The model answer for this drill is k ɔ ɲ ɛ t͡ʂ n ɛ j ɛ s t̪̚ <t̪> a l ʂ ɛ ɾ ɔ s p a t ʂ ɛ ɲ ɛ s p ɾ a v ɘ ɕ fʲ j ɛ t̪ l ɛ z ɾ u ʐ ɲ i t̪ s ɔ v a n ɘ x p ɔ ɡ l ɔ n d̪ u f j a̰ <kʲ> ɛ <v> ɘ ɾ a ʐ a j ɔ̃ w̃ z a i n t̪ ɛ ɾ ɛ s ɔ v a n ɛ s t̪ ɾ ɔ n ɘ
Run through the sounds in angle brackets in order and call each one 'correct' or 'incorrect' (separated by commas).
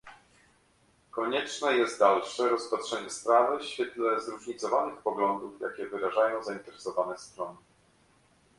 incorrect, correct, correct